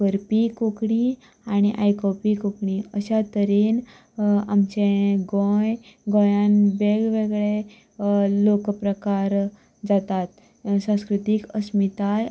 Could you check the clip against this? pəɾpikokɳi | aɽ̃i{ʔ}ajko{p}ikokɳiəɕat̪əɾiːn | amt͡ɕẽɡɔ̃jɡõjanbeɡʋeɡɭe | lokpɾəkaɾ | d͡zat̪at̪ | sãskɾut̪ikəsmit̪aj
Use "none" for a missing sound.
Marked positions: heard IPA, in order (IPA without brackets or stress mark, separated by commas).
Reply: ʔ, p